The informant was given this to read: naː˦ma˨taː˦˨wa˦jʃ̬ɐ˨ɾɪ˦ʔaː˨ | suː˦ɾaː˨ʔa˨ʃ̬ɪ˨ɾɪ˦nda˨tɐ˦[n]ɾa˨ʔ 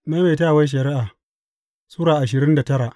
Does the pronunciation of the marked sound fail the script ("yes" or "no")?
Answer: yes